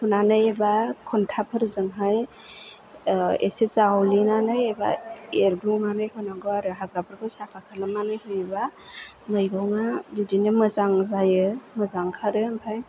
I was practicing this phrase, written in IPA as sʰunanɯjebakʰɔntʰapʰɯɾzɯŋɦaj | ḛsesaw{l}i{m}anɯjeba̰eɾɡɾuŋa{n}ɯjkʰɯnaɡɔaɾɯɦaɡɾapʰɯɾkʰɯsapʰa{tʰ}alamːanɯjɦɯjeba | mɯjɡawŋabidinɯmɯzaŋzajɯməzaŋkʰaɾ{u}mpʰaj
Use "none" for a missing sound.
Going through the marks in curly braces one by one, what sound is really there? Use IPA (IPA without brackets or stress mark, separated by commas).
l, n, n, kʰ, ɯ